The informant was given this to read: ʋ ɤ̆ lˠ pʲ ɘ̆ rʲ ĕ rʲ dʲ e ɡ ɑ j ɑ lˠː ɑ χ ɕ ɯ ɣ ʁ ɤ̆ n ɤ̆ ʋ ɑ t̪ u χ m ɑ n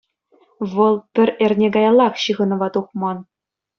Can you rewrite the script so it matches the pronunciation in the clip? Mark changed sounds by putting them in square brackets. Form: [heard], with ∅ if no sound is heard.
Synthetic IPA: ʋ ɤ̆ lˠ pʲ ɘ̆ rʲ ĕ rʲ [nʲ] e ɡ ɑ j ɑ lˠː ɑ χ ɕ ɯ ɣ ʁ ɤ̆ n ɤ̆ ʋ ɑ t̪ u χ m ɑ n